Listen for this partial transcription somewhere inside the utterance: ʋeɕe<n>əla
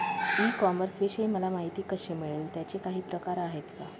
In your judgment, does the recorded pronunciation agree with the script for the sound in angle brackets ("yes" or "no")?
no